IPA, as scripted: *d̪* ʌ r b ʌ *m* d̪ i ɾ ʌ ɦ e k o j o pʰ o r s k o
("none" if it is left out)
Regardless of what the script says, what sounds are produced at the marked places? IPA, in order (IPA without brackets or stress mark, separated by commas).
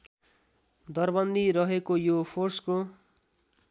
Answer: d̪, n